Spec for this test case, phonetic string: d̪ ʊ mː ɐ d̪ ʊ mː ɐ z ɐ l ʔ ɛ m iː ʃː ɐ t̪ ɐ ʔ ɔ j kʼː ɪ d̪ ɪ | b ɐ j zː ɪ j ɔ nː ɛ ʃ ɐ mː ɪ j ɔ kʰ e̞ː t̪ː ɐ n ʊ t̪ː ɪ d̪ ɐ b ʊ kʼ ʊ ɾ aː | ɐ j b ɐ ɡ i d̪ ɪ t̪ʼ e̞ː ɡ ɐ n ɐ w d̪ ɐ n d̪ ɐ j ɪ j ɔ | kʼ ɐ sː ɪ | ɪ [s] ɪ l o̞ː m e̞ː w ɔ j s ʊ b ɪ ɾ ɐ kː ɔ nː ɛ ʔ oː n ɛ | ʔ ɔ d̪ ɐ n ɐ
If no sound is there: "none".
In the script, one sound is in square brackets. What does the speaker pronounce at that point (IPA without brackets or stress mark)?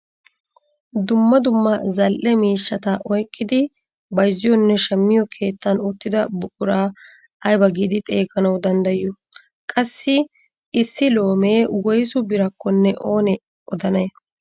sː